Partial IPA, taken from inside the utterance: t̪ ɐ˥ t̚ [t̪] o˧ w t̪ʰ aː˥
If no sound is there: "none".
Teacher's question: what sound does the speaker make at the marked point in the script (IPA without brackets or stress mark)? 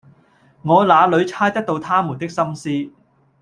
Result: t̪